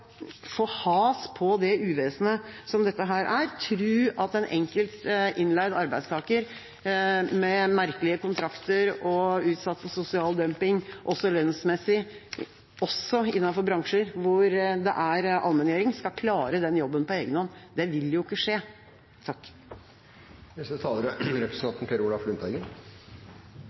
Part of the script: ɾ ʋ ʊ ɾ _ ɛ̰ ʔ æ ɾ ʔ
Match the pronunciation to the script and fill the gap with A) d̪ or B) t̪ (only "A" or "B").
A